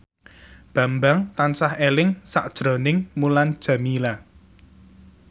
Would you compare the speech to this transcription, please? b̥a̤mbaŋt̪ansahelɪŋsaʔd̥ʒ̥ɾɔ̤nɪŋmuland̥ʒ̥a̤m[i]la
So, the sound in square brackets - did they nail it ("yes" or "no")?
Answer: yes